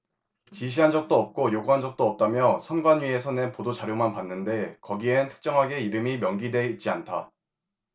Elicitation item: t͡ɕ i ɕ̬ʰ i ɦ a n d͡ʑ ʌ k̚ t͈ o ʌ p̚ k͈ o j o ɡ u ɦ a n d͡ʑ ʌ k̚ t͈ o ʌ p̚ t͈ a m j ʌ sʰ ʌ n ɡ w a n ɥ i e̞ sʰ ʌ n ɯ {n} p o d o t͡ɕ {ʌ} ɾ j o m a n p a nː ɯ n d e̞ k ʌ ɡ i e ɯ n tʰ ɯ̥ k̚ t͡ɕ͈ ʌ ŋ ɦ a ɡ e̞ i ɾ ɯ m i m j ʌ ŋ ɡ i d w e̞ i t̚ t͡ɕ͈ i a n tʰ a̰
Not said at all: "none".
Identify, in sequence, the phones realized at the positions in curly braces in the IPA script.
n, a

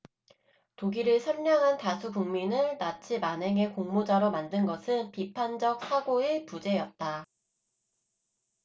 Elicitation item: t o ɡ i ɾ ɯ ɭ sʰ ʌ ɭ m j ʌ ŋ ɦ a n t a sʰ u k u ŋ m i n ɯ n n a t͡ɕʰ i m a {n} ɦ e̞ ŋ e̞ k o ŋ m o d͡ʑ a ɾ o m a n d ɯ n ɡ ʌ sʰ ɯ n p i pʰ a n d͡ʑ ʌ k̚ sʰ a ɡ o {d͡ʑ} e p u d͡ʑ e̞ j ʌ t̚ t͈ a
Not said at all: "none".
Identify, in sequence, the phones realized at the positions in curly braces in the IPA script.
n, none

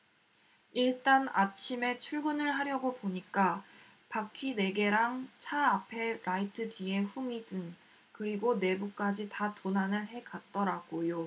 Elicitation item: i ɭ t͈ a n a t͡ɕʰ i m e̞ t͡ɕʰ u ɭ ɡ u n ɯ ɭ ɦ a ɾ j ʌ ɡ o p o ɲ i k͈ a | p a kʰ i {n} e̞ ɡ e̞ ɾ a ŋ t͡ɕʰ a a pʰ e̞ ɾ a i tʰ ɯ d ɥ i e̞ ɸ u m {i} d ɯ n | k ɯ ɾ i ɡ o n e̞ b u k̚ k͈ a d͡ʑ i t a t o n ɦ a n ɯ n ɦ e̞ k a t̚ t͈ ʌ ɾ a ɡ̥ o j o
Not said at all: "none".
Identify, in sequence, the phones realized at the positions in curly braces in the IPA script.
n, i

